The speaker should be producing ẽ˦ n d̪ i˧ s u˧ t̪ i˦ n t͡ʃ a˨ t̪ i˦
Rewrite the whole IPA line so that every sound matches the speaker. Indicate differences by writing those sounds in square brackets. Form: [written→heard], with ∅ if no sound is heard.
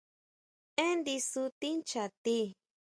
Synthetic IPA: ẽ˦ n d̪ i˧ s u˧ t̪ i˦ n t͡ʃ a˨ t̪ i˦